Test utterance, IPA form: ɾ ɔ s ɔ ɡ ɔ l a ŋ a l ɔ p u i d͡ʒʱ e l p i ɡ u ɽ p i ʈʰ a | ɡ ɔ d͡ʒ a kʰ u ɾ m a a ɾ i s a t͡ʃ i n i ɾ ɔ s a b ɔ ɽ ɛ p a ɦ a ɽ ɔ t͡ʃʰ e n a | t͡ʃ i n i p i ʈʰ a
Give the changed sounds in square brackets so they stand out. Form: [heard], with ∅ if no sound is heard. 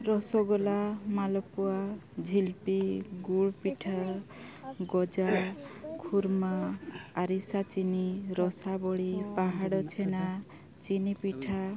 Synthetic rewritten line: ɾ ɔ s ɔ ɡ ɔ l a [m] a l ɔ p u [a] d͡ʒʱ [i] l p i ɡ u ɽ p i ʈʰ a | ɡ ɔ d͡ʒ a kʰ u ɾ m a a ɾ i s a t͡ʃ i n i ɾ ɔ s a b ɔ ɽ [i] p a ɦ a ɽ ɔ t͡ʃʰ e n a | t͡ʃ i n i p i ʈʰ a